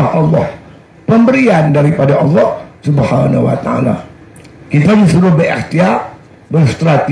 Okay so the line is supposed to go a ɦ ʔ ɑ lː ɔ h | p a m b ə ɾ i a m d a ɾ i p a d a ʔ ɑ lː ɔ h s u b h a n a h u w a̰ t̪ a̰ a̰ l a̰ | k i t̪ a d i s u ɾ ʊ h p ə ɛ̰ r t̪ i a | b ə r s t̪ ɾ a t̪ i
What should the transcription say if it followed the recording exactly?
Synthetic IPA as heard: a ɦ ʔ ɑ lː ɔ h | p ə m b ə ɾ i a n d a ɾ i p a d a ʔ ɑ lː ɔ h s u b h a n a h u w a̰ t̪ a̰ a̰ l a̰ | k i t̪ a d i s u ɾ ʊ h b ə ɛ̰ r t̪ i a | b ə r s t̪ ɾ a t̪ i